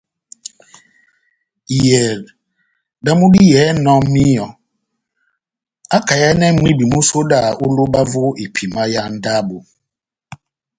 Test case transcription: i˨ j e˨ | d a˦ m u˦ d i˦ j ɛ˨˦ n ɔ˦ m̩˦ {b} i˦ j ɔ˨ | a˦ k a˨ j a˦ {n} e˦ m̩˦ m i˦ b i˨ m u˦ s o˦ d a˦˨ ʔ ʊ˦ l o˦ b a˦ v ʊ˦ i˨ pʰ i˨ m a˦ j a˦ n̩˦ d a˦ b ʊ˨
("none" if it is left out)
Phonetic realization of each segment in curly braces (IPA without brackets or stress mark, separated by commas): m, n